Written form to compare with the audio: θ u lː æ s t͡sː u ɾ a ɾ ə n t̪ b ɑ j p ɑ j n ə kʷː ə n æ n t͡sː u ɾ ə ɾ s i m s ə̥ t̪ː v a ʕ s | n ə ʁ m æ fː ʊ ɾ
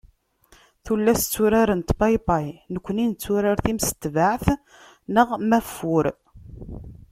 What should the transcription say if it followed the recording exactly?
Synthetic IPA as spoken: θ u lː æ s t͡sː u ɾ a ɾ ə n t̪ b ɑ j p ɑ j n ə kʷː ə n i n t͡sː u ɾ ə ɾ θ i m s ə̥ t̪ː v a ʕ θ | n ə ʁ m æ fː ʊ ɾ